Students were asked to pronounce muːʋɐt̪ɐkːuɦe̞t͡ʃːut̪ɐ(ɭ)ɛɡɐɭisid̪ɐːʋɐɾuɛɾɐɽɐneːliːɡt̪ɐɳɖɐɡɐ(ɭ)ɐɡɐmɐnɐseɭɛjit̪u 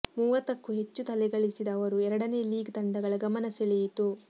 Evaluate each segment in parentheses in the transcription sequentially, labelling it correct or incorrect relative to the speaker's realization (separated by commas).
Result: incorrect, correct